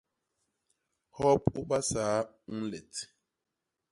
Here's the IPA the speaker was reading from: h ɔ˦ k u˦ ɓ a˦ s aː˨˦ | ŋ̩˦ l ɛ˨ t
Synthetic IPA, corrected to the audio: h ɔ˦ p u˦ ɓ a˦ s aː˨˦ | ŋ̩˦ l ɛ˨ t